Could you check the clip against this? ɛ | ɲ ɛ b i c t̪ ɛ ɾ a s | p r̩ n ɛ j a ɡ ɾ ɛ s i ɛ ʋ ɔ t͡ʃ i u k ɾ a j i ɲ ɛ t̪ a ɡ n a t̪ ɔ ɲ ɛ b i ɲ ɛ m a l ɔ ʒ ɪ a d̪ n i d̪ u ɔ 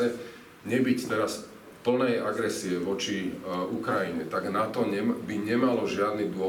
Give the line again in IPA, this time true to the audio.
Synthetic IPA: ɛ | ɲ ɛ b i c t̪ ɛ ɾ a s | p l̩ n ɛ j a ɡ ɾ ɛ s i ɛ ʋ ɔ t͡ʃ i u k ɾ a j i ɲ ɛ t̪ a ɡ n a t̪ ɔ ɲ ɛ b i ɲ ɛ m a l ɔ ʒ ɪ a d̪ n i d̪ ʊ ɔ